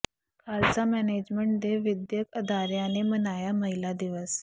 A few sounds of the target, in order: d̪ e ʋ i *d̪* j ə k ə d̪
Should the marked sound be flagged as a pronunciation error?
no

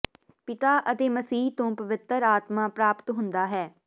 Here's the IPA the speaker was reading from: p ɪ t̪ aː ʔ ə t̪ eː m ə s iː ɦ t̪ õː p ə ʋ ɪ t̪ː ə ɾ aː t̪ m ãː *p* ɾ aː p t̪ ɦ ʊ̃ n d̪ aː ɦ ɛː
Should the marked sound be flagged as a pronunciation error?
no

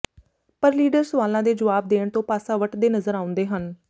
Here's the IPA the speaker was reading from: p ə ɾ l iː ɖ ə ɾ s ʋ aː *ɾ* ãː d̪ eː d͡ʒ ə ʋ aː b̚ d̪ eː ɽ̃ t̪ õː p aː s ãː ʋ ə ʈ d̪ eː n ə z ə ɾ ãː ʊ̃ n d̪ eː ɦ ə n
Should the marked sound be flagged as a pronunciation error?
yes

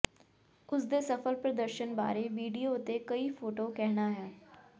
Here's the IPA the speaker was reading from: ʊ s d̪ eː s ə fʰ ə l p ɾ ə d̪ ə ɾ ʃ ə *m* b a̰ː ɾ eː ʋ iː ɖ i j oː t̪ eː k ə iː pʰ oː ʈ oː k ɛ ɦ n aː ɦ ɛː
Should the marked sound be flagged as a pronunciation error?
yes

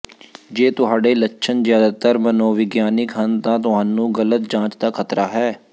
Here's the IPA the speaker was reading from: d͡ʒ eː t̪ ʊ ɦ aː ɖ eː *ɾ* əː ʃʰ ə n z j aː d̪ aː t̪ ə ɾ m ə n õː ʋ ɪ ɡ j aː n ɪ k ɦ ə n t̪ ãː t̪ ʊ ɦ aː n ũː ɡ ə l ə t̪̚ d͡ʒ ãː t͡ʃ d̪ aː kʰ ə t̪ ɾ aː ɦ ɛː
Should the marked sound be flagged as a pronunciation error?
yes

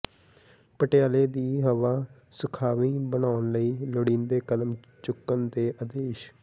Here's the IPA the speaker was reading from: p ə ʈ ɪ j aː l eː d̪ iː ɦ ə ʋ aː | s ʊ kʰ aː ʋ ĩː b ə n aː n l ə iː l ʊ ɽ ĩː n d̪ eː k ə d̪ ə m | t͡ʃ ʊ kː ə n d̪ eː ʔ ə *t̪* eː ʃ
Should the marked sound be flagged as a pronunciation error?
yes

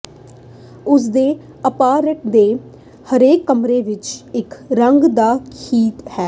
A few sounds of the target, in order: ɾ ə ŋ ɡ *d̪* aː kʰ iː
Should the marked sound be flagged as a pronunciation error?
no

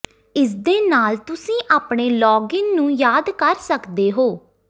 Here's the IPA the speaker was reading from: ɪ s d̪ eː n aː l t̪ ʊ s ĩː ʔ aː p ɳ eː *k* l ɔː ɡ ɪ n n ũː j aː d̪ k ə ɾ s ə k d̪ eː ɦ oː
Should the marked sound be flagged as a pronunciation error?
yes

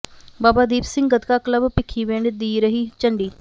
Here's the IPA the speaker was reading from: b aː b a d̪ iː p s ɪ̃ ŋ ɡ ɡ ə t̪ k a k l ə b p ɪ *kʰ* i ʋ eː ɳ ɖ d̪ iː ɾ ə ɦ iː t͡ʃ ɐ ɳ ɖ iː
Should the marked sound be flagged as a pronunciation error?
no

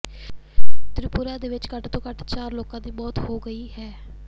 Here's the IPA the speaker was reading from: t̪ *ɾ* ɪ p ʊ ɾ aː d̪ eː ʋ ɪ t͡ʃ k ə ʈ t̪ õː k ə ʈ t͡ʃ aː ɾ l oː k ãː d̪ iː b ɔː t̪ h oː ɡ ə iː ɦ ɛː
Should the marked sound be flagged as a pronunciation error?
no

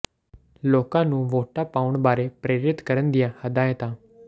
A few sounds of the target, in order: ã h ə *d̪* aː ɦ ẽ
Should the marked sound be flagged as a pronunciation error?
no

